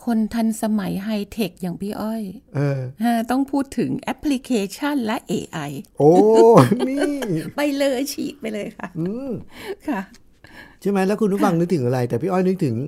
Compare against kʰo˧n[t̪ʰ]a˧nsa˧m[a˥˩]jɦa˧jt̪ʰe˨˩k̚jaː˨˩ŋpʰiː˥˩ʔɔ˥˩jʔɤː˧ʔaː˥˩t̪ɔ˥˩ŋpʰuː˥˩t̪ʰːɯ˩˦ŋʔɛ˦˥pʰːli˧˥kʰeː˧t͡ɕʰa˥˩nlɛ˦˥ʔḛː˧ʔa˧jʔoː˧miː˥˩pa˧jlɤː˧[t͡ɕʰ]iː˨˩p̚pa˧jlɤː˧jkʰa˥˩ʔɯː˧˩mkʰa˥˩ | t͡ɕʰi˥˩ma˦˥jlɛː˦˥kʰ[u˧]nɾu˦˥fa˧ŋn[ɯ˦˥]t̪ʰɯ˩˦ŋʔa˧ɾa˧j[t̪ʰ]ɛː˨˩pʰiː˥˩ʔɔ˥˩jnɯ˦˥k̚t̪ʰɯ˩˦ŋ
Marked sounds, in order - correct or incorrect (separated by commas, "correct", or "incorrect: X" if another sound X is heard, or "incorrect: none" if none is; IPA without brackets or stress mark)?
correct, incorrect: a˩˦, correct, correct, correct, incorrect: t̪